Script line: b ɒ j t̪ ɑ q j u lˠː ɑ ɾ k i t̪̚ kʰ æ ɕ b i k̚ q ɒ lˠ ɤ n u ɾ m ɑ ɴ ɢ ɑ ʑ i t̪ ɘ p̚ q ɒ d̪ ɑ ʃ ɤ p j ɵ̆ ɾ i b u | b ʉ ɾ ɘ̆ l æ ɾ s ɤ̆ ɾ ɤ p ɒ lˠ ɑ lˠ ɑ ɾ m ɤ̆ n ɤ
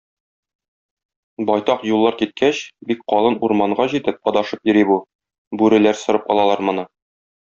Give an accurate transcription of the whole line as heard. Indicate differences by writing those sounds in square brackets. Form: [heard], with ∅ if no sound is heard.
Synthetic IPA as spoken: b ɒ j t̪ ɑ q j u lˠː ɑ ɾ k i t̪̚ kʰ æ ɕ b i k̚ q ɒ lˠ ɤ n u ɾ m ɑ ɴ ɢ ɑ ʑ i t̪ ɘ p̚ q ɒ d̪ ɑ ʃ ɤ p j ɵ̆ ɾ i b u | b ʉ ɾ ɘ̆ l æ ɾ s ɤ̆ ɾ ɤ p ɒ lˠ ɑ lˠ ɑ ɾ m ɤ̆ n ɤ